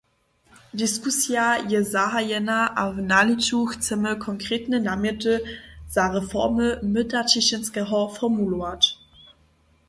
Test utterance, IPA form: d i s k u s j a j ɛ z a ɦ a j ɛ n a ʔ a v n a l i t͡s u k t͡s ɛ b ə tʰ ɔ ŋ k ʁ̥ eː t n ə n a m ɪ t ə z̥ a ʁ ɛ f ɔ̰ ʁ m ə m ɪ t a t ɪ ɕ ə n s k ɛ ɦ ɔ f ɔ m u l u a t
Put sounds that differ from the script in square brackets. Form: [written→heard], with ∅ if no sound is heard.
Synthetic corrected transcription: d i s k u s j a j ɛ z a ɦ a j ɛ n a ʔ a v n a l i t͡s u [k→x] t͡s ɛ [b→m] ə [tʰ→kʰ] ɔ ŋ k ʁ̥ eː t n ə n a m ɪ t ə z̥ a ʁ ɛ f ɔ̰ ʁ m ə m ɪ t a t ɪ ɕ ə n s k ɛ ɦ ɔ f ɔ m u l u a t